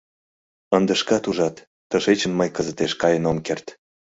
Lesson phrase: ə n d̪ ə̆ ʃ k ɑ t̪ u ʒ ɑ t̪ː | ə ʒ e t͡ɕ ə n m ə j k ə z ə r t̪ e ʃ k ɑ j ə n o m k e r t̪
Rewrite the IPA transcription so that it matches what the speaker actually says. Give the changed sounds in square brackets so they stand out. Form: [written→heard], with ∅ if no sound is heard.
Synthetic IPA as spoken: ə n d̪ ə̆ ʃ k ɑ t̪ u ʒ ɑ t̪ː | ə [ʒ→ʃ] e t͡ɕ ə n m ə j k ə z ə [r→∅] t̪ e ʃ k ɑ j ə n o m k e r t̪